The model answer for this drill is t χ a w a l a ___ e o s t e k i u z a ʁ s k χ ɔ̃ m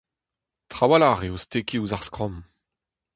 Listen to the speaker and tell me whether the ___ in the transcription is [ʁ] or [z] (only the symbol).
ʁ